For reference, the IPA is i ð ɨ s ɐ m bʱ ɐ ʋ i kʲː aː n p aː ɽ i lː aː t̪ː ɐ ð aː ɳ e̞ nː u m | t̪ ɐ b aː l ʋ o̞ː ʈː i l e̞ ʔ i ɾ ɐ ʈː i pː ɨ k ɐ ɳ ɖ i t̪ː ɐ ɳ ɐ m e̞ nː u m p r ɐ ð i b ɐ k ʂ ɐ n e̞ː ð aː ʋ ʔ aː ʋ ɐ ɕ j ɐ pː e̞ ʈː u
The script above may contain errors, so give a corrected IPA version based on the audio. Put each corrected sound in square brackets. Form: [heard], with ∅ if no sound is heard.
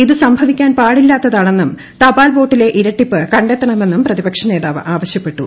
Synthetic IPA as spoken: i ð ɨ s ɐ m bʱ ɐ ʋ i kʲː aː n p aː ɽ i lː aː t̪ː ɐ ð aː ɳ e̞ nː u m | t̪ ɐ b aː l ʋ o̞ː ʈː i l e̞ ʔ i ɾ ɐ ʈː i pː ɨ k ɐ ɳ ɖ [e] t̪ː ɐ ɳ ɐ m e̞ nː u m p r ɐ ð i b ɐ k ʂ ɐ n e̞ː ð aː ʋ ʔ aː ʋ ɐ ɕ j ɐ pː e̞ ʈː u